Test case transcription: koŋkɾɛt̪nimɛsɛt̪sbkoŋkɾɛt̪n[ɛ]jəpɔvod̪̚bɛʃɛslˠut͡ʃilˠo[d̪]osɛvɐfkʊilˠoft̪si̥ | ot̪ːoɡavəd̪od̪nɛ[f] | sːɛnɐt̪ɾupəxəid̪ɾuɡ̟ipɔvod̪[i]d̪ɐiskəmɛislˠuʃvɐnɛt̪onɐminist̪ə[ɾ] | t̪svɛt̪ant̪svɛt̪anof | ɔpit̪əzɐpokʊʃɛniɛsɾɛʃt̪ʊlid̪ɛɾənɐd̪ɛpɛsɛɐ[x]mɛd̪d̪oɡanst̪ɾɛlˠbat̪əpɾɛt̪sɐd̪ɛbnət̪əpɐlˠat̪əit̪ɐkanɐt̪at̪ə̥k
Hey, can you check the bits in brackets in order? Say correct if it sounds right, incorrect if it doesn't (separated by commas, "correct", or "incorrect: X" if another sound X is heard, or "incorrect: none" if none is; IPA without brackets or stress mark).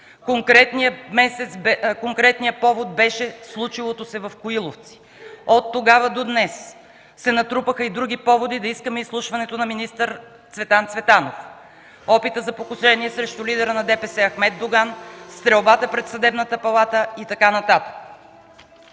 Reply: incorrect: i, incorrect: t̪, incorrect: s, correct, correct, correct